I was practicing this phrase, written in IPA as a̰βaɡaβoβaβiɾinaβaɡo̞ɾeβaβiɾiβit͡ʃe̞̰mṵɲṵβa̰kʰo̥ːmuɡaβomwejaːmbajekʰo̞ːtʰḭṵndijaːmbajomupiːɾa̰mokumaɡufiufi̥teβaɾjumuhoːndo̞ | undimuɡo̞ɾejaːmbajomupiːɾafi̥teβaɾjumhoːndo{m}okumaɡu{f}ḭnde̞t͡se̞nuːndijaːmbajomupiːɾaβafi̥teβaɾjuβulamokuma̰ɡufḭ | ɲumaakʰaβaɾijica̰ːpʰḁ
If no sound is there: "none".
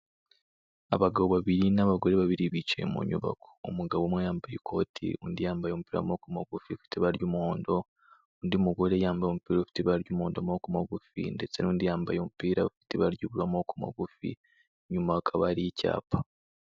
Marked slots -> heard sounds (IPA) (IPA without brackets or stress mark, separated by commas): m, f